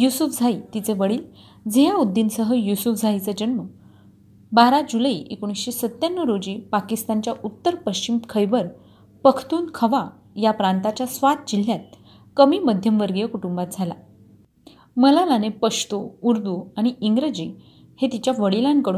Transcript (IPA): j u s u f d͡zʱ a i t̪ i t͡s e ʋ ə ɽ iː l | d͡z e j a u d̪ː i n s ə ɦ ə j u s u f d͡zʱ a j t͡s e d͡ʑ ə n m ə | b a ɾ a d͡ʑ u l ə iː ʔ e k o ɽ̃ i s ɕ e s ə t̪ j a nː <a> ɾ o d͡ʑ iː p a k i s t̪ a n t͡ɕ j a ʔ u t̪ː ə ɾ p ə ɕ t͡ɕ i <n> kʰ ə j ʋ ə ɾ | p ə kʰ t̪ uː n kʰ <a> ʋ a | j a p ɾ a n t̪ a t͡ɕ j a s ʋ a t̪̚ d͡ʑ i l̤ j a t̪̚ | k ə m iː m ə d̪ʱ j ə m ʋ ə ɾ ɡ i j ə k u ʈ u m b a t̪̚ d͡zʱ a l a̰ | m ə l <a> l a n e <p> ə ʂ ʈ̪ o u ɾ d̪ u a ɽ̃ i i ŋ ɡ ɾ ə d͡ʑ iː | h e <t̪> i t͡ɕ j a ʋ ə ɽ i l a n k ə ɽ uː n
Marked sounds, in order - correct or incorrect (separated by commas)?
incorrect, incorrect, incorrect, correct, correct, correct